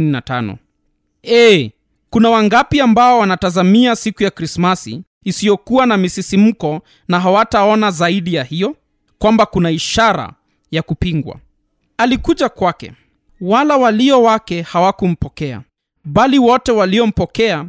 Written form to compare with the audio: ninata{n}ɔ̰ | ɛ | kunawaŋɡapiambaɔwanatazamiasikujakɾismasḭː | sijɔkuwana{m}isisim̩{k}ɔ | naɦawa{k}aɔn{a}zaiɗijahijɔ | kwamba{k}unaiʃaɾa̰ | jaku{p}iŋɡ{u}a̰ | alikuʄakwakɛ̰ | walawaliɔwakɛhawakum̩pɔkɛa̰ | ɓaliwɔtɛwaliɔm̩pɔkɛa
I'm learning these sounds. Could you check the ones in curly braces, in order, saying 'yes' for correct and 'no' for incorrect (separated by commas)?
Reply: yes, yes, yes, no, yes, yes, yes, no